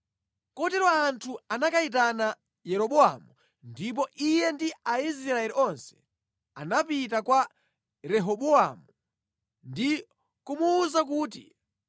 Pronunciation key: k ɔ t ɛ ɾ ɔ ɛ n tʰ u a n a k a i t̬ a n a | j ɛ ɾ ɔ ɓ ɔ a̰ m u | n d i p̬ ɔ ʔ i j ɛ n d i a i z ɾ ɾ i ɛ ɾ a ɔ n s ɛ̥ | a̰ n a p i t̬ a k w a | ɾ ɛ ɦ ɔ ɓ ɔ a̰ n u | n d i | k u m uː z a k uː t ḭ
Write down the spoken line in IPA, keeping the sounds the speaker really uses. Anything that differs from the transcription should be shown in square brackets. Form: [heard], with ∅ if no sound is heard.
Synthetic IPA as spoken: k ɔ t ɛ ɾ ɔ [a] n tʰ u a n a k a i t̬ a n a | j ɛ ɾ ɔ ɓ ɔ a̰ m u | n d i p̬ ɔ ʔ i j ɛ n d i a i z ɾ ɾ [a] ɛ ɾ [i] ɔ n s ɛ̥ | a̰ n a p i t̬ a k w a | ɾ ɛ ɦ ɔ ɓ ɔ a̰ [m] u | n d i | k u m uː z a k uː t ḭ